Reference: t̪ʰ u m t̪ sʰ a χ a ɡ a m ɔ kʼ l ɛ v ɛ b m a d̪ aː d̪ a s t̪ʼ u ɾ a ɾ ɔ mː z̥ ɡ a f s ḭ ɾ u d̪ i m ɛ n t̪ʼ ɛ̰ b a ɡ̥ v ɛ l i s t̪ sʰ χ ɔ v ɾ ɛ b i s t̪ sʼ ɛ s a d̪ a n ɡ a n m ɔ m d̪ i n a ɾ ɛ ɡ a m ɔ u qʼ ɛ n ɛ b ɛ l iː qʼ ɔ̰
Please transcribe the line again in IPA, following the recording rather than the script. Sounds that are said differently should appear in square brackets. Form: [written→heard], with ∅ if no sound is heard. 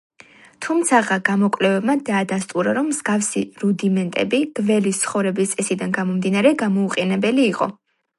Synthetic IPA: t̪ʰ u m t̪ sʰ a [χ→ʁ] a ɡ a m ɔ kʼ l ɛ v ɛ b m a d̪ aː d̪ a s t̪ʼ u ɾ a ɾ ɔ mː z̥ ɡ a f s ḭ ɾ u d̪ i m ɛ n t̪ʼ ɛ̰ b [a→i] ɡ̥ v ɛ l i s t̪ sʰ χ ɔ v ɾ ɛ b i s t̪ sʼ ɛ s [a→i] d̪ a n ɡ a [n→∅] m ɔ m d̪ i n a ɾ ɛ ɡ a m ɔ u qʼ ɛ n ɛ b ɛ l iː qʼ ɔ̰